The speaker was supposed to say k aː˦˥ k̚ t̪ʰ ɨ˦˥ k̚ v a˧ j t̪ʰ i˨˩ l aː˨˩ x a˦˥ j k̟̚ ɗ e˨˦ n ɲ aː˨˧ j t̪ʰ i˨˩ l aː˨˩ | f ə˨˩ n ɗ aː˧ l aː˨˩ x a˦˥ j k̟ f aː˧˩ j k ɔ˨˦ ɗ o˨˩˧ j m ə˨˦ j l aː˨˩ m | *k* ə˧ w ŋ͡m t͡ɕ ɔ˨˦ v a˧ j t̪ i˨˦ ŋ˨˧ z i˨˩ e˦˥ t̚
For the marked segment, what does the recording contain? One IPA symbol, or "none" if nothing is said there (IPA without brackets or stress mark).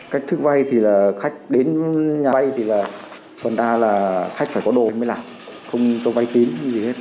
x